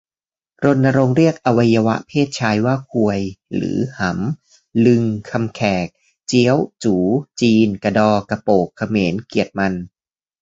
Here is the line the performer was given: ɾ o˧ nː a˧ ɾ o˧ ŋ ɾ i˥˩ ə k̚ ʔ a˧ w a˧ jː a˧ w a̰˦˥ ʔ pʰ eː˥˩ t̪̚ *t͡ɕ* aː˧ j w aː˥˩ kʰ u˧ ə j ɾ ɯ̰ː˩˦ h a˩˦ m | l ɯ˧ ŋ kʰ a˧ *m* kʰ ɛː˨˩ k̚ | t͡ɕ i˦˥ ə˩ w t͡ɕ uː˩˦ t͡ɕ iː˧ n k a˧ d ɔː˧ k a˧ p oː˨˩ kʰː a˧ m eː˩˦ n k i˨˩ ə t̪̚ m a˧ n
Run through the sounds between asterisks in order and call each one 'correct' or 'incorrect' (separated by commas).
incorrect, correct